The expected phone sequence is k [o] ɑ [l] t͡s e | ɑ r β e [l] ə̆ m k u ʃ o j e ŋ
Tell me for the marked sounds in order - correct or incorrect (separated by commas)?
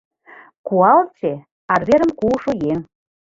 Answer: incorrect, correct, incorrect